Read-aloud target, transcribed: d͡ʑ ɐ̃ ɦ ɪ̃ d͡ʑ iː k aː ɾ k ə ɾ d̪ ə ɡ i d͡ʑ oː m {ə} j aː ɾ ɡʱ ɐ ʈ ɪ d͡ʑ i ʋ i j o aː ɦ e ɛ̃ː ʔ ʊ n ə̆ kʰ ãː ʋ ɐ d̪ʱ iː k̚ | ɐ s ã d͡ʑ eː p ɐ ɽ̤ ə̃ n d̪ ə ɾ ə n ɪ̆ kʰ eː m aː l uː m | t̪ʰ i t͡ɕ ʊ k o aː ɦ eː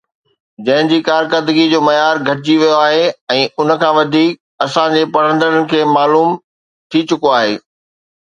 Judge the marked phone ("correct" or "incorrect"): incorrect